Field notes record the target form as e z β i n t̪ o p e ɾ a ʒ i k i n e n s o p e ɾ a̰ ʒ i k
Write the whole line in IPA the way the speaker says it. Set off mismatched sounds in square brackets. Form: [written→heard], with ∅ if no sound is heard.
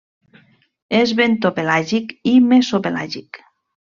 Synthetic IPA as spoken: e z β [i→e] n t̪ o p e [ɾ→l] a ʒ i k i [n→m] e [n→∅] s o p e [ɾ→l] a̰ ʒ i k